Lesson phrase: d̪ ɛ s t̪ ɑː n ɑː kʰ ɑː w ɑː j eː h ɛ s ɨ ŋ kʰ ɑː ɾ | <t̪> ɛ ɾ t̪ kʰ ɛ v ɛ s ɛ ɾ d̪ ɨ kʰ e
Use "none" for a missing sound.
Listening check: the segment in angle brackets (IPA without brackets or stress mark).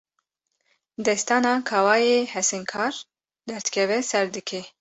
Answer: d̪